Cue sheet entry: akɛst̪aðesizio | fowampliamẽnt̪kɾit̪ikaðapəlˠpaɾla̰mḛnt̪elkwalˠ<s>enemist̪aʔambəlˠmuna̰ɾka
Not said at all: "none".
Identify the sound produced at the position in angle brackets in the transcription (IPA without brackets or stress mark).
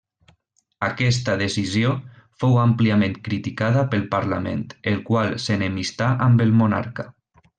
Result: s